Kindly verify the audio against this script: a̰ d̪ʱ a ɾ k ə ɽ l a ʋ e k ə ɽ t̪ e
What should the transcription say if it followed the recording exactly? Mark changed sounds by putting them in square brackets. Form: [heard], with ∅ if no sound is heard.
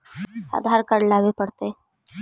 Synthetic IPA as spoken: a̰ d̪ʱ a ɾ k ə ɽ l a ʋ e [p] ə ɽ t̪ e